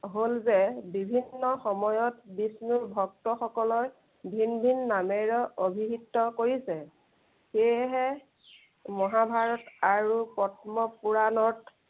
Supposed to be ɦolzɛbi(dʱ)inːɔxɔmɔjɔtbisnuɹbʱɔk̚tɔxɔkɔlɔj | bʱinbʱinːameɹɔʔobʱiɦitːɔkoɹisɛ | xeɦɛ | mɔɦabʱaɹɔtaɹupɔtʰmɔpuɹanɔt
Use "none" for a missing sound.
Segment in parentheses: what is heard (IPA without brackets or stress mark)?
bʱ